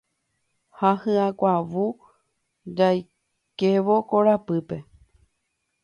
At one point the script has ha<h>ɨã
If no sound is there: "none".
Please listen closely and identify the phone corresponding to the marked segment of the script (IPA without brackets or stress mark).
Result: h